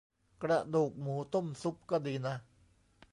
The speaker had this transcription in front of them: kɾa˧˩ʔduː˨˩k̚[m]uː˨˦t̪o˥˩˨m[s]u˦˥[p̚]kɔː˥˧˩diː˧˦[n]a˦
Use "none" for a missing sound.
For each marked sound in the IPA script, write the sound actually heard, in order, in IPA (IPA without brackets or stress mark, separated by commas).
m, s, p̚, n